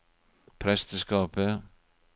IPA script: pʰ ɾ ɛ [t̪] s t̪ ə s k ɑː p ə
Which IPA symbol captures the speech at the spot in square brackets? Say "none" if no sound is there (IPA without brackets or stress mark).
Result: none